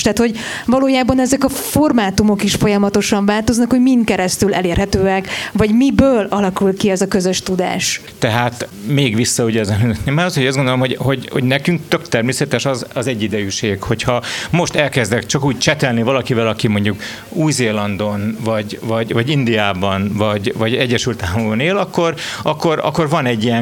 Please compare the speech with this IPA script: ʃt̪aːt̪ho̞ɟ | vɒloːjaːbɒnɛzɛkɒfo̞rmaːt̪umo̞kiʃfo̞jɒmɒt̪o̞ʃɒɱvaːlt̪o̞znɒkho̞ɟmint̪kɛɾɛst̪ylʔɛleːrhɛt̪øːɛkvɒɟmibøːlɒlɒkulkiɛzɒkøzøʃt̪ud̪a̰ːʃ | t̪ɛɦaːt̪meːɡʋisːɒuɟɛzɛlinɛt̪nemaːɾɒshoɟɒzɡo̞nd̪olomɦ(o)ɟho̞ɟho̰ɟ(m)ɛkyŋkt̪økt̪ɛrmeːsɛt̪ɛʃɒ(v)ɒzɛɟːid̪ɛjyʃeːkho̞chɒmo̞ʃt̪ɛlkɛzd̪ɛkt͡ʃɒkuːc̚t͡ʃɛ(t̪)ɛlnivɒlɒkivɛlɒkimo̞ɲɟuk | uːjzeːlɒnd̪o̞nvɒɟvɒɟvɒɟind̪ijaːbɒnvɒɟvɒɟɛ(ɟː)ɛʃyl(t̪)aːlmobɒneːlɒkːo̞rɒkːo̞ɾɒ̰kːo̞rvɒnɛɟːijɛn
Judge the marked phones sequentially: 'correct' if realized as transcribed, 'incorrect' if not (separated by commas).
correct, incorrect, incorrect, correct, correct, correct